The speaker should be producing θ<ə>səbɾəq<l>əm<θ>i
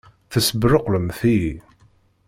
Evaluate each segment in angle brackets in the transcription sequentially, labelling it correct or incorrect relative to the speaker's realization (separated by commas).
correct, correct, correct